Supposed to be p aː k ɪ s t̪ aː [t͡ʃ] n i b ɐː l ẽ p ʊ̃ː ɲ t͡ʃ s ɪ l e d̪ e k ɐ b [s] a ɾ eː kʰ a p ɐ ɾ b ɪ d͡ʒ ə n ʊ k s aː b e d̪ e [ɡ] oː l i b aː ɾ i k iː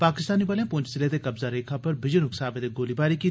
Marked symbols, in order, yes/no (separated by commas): no, no, yes